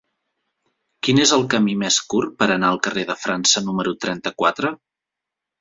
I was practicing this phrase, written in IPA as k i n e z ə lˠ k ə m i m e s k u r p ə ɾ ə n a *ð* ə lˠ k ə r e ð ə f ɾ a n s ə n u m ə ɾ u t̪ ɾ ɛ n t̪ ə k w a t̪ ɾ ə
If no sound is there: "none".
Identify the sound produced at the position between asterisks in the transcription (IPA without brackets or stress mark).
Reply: none